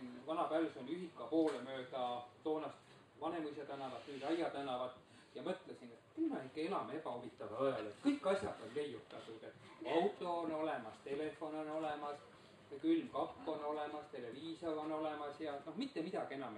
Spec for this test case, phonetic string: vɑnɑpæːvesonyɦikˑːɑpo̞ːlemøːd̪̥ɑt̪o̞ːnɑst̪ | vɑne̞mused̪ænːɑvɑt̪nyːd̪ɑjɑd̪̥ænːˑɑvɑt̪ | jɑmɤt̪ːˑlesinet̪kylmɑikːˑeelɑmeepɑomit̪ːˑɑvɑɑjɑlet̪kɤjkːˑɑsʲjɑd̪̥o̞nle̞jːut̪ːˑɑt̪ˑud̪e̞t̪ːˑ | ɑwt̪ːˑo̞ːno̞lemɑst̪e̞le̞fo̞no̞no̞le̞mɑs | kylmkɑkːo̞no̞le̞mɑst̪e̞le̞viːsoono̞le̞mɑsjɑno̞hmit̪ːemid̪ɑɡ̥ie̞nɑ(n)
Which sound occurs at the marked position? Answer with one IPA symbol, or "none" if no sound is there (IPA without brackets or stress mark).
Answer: m